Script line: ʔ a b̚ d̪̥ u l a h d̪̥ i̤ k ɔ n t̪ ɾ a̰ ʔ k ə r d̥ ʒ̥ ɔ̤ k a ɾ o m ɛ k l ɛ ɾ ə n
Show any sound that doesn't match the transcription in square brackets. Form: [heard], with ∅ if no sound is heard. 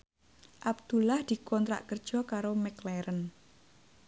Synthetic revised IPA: ʔ a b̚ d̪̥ u l a h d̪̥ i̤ k ɔ n t̪ ɾ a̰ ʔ k ə r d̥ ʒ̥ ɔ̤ k a ɾ o m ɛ k l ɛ ɾ ə n